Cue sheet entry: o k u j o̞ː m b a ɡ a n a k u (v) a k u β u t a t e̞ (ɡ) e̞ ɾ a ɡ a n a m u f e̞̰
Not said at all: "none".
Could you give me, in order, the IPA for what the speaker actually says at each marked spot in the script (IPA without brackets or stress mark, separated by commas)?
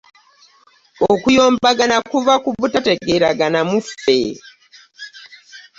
v, ɡ